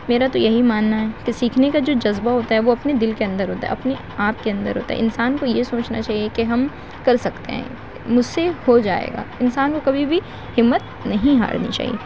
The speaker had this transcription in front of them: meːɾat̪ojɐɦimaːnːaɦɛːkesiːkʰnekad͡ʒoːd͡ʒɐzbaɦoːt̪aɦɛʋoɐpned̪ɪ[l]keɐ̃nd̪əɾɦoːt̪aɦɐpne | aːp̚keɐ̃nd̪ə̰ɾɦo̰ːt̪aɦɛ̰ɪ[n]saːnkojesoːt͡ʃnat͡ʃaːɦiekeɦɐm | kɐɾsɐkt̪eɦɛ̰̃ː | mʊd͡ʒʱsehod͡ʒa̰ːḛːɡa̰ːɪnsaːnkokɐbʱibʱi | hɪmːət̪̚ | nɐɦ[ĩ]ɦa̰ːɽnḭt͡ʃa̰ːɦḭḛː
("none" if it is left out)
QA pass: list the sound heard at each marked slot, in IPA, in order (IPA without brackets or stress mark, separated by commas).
l, n, ĩ